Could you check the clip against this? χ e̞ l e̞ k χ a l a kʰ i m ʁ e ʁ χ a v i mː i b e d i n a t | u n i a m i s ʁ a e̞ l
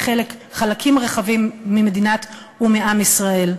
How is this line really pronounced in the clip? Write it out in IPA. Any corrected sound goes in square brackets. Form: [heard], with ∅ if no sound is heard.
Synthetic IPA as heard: χ e̞ l e̞ k χ a l a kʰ i m ʁ e [∅] χ a v i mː i [m] e d i n a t | u [m] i a m i s ʁ a e̞ l